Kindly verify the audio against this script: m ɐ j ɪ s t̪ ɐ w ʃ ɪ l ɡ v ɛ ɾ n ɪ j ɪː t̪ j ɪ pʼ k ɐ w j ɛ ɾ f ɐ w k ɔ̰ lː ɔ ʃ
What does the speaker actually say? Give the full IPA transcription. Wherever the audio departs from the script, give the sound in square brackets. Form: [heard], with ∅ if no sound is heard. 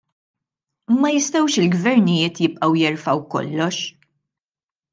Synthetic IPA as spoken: m ɐ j ɪ s t̪ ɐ w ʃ ɪ l ɡ v ɛ ɾ n ɪ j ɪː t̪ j ɪ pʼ [ʔ] ɐ w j ɛ ɾ f ɐ w k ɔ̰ lː ɔ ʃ